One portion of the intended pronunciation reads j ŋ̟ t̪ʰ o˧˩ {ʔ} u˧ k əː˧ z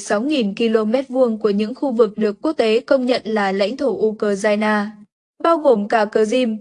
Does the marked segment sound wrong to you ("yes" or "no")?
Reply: no